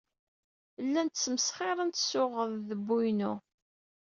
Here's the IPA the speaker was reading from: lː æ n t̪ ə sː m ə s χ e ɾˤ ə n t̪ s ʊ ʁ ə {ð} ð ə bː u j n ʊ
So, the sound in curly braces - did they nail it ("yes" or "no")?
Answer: yes